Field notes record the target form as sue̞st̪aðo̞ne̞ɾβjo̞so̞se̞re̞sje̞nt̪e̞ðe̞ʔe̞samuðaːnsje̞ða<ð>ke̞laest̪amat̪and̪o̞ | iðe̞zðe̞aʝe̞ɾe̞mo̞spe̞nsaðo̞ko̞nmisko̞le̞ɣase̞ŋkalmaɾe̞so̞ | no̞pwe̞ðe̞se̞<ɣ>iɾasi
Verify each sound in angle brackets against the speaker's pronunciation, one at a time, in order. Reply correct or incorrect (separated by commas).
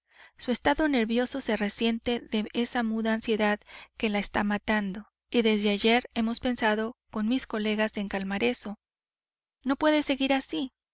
correct, correct